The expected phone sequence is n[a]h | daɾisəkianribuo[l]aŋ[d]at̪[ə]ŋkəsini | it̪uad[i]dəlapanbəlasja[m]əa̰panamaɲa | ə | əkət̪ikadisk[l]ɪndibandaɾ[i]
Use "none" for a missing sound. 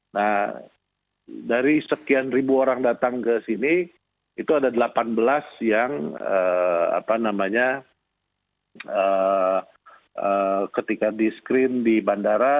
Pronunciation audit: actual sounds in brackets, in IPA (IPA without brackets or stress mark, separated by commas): a, ɾ, d, a, a, ŋ, ɾ, a